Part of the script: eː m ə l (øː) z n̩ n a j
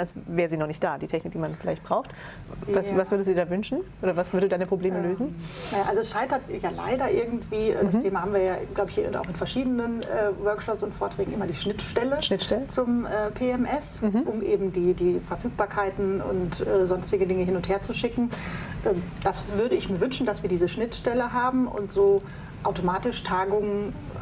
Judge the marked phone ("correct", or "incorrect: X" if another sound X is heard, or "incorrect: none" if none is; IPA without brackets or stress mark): correct